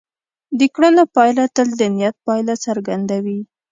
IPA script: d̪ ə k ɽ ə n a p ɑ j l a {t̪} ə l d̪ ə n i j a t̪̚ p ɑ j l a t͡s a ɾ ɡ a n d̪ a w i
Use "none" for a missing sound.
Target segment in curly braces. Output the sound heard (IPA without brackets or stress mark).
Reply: t̪